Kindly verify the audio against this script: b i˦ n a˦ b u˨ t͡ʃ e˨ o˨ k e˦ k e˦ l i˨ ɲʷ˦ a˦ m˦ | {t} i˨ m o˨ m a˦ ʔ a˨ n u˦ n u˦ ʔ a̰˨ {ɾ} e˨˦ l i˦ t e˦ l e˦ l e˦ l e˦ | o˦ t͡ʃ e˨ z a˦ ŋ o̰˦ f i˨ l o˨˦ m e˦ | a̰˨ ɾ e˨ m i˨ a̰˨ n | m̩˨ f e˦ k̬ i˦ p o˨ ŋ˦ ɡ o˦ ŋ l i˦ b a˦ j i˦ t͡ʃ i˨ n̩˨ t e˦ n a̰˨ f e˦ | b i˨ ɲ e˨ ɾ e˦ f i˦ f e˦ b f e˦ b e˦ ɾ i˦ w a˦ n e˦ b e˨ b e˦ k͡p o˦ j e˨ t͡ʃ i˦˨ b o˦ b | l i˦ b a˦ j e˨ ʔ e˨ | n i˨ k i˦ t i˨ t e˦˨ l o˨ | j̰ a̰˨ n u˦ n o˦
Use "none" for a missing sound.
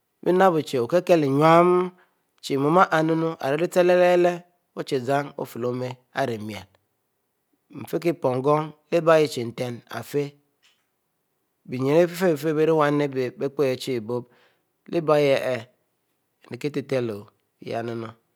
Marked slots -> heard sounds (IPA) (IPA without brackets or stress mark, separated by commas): t͡ʃ, ɾ